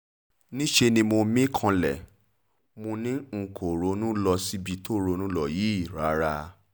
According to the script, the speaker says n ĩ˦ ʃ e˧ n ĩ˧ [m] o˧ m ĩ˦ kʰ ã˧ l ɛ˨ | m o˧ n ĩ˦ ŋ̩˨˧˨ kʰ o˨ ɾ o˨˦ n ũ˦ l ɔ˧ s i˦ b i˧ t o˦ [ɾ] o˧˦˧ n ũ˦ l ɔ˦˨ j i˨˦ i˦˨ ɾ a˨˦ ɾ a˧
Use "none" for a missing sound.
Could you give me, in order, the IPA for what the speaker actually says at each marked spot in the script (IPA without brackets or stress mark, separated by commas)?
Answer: m, ɾ